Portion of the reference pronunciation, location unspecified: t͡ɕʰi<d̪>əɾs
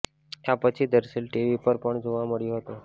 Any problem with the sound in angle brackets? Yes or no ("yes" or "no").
no